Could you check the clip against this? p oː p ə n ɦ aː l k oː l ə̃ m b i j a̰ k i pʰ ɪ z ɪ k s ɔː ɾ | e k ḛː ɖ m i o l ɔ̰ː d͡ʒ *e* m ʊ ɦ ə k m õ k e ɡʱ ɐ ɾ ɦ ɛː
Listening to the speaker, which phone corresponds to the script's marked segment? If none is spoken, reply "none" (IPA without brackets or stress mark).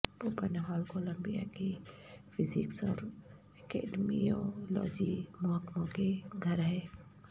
i